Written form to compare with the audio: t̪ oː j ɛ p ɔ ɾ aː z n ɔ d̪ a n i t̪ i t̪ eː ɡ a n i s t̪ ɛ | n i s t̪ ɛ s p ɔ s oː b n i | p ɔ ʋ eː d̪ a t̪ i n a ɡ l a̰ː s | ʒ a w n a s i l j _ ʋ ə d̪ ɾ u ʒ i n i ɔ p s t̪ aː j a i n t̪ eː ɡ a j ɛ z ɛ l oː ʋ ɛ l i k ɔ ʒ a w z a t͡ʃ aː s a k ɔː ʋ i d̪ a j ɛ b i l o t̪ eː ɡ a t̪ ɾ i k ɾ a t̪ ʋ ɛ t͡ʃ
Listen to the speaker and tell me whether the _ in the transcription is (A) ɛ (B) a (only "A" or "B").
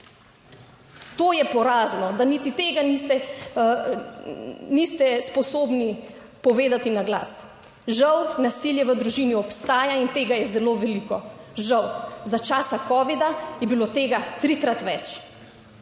A